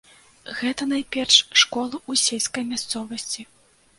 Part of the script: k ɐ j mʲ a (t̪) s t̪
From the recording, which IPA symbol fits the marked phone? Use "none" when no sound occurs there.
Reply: none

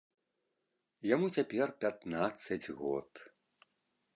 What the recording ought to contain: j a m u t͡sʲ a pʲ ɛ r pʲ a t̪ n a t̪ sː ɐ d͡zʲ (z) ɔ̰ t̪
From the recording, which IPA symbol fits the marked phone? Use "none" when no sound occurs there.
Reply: ɣ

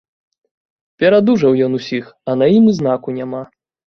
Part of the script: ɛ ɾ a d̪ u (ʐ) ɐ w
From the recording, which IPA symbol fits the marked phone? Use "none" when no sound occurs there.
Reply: ʐ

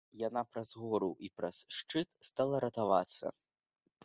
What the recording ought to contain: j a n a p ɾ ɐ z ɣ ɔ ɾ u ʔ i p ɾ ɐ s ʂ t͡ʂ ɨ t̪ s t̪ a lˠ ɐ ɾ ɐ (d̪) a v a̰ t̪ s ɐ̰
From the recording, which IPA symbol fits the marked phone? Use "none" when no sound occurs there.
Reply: t̪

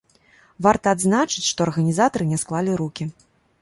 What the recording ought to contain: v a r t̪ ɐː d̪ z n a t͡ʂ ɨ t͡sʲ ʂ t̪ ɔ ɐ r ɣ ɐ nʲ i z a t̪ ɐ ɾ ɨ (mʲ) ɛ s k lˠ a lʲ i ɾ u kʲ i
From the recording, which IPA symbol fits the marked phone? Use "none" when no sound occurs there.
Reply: nʲ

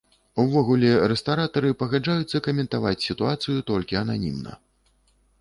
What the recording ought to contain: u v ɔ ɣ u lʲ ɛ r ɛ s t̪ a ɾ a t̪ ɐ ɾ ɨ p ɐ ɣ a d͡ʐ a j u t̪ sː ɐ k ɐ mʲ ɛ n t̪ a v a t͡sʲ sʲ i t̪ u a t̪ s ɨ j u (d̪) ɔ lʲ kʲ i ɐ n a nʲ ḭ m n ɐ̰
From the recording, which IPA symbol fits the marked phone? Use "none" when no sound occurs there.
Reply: t̪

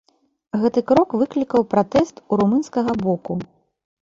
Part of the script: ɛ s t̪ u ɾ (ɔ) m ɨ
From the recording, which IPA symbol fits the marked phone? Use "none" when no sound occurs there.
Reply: u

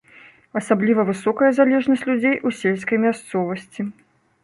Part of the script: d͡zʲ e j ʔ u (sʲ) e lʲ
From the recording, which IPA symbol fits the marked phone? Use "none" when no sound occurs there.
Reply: sʲ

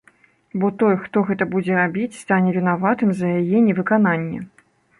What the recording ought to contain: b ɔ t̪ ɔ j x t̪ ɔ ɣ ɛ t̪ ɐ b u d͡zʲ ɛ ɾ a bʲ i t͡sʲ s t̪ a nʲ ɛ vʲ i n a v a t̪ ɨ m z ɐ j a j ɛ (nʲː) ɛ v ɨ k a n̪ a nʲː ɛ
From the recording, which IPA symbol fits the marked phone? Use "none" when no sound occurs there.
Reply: nʲ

